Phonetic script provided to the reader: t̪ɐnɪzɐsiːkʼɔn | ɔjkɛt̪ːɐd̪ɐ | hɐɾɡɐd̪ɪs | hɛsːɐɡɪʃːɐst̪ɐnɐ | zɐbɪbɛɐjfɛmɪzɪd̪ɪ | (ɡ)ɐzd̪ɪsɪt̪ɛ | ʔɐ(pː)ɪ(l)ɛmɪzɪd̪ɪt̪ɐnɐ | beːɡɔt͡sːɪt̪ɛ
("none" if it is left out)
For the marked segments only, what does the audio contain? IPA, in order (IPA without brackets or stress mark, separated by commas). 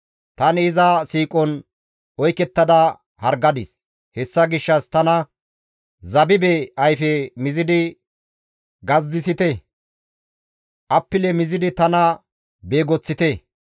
ɡ, pː, l